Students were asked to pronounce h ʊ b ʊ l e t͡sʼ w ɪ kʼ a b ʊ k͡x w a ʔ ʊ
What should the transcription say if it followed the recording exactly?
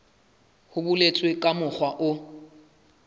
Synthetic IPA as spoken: h ʊ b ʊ l e t͡sʼ w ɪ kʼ a m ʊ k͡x w a ʔ ʊ